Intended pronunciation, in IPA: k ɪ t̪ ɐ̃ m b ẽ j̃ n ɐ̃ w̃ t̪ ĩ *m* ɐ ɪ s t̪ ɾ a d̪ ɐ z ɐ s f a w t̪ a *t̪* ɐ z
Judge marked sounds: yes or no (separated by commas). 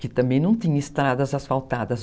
no, no